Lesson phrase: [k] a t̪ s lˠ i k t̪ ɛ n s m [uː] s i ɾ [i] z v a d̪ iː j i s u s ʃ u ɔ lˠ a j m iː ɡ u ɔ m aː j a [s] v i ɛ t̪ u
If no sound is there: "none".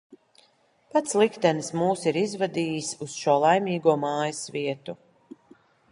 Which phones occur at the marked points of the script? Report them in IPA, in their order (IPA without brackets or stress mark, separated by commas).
p, uː, i, s